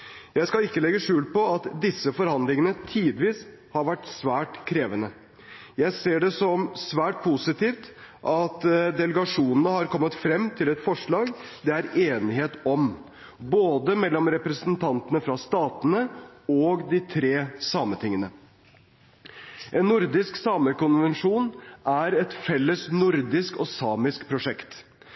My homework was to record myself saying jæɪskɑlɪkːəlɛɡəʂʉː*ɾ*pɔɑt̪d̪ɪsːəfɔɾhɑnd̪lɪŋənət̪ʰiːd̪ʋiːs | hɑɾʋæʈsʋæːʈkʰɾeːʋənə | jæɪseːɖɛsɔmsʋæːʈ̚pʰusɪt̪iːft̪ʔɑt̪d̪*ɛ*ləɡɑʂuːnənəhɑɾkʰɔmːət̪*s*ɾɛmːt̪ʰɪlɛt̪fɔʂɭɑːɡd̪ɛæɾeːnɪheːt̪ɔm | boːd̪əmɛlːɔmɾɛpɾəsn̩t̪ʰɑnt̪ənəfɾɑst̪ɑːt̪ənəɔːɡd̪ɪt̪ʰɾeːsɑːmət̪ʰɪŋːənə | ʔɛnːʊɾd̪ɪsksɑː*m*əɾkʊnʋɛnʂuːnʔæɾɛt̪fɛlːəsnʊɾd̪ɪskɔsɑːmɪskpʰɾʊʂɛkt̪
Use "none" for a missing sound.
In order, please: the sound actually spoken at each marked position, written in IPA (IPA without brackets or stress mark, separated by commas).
l, ɛ, f, m